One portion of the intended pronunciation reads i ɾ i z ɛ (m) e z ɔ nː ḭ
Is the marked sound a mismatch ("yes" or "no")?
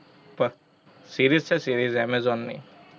no